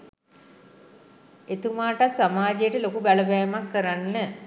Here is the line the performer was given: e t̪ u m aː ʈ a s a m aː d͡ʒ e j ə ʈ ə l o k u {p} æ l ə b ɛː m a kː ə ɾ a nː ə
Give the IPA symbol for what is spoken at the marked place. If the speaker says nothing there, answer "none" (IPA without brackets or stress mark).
b